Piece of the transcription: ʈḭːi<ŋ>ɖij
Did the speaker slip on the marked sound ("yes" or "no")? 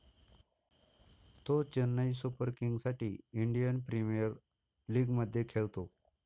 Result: yes